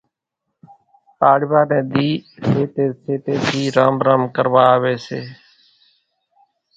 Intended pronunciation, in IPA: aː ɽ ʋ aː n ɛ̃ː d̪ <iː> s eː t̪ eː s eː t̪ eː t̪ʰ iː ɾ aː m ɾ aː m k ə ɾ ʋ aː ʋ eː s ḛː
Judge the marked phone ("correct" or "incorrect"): correct